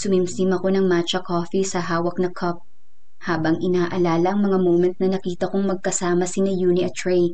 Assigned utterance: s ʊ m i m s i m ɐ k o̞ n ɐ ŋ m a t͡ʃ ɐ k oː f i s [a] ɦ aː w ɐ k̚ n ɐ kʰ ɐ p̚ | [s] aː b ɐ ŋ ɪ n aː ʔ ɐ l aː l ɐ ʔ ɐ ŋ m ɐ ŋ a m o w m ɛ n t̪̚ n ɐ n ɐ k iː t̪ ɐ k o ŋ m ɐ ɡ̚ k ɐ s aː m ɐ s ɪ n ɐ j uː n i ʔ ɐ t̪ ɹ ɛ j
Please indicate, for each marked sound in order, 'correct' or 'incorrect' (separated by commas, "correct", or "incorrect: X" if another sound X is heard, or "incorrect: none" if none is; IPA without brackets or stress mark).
incorrect: ɐ, incorrect: h